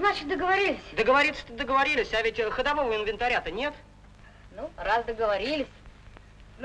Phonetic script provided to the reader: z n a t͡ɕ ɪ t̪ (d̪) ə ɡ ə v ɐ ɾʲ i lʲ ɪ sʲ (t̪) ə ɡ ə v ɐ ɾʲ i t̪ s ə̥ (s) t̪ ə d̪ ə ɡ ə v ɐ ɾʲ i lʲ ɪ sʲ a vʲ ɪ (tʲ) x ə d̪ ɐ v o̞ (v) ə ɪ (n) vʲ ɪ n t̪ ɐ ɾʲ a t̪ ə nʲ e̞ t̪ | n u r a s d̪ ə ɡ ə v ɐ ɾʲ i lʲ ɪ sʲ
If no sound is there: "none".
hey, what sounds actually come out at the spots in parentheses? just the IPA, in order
d̪, d̪, none, tʲ, v, n

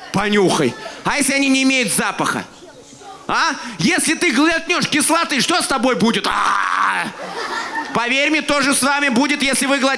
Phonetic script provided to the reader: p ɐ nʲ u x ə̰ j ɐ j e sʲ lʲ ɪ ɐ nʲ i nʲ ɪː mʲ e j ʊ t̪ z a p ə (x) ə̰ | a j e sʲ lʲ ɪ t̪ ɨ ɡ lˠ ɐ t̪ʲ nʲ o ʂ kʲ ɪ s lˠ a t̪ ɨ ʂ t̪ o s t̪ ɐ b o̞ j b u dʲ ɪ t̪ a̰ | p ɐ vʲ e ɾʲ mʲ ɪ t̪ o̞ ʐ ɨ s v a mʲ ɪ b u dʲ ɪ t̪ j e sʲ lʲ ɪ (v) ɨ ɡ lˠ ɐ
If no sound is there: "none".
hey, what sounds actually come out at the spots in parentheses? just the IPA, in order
x, v

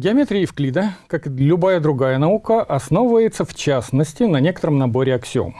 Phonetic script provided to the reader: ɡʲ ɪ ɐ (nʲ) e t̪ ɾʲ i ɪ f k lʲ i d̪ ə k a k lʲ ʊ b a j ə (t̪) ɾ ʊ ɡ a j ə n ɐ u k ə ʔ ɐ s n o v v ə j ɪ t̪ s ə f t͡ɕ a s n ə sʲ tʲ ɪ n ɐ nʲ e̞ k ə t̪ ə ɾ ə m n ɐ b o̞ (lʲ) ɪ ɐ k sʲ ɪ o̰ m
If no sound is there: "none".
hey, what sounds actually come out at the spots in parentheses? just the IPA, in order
mʲ, d̪, ɾʲ

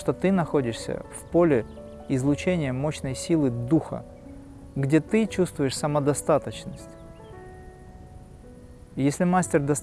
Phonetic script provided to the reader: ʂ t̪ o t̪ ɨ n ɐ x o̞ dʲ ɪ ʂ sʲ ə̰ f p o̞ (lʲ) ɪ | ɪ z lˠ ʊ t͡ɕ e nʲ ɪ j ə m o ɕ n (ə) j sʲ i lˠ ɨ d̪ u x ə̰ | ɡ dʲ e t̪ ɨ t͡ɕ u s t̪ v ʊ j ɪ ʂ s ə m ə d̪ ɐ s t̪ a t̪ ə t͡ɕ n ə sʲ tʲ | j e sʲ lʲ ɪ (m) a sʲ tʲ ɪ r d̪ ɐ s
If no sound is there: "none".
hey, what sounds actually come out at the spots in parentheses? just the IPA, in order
lʲ, ə, m

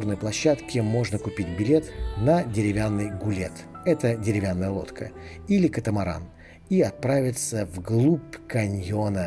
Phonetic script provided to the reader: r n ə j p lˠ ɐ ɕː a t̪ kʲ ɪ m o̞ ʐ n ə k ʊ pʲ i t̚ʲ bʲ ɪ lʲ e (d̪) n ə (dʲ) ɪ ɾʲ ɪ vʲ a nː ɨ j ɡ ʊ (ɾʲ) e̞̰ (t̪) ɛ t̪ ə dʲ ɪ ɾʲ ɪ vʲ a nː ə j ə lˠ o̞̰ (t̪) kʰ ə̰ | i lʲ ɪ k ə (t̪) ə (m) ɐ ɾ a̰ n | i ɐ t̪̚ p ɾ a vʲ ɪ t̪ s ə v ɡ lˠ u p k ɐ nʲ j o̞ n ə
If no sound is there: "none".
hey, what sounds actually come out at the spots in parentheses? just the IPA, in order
t̪, dʲ, lʲ, t̪, t̪, t̪, m

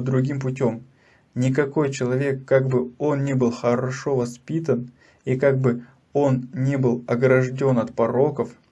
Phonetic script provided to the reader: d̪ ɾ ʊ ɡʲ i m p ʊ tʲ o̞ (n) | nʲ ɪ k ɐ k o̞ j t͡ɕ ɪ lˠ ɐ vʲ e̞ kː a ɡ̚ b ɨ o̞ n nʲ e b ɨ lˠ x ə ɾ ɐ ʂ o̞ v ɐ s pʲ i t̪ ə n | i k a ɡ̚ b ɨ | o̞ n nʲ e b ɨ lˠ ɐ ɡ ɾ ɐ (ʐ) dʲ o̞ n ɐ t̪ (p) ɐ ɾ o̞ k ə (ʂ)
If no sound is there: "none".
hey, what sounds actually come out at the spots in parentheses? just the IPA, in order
m, ʐ, p, f

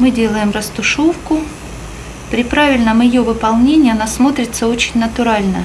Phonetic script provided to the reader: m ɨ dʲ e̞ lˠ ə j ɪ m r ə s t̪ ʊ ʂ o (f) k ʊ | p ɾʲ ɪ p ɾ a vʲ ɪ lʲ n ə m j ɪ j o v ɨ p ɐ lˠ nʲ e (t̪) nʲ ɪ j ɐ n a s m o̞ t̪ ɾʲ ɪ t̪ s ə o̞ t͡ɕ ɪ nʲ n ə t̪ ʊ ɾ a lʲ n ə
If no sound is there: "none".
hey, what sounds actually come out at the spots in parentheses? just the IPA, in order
f, none

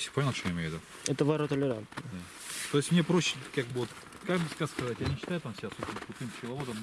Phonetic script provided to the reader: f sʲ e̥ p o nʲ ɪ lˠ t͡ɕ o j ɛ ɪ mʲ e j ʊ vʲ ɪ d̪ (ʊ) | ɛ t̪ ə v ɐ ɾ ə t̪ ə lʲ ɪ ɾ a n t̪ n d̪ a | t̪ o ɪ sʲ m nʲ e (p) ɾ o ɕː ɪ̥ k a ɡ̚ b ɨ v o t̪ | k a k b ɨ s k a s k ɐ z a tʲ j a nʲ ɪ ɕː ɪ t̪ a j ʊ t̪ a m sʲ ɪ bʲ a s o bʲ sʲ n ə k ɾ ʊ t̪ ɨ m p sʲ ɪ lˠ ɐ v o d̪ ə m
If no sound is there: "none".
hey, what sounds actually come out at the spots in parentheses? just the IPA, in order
u, p

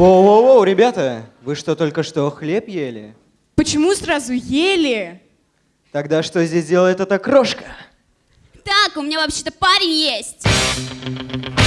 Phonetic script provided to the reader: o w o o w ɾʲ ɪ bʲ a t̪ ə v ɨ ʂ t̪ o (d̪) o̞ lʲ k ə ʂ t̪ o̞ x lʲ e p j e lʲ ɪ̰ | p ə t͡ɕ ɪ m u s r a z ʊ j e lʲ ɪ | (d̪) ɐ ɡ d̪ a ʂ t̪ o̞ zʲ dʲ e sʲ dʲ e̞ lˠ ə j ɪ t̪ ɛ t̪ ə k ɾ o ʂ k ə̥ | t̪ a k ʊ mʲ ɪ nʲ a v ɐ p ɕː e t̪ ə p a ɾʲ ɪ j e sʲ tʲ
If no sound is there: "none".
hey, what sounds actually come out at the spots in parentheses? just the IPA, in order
t̪, t̪

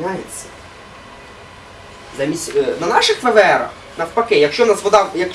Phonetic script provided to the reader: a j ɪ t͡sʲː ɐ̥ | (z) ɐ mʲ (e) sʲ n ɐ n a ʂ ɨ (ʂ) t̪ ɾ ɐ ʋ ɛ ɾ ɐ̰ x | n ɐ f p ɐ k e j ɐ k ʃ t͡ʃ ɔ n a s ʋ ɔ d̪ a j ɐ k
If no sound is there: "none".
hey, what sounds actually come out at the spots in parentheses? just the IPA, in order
z, i, x

